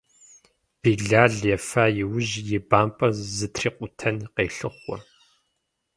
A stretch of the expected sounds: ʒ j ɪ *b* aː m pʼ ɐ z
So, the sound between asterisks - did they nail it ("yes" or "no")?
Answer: yes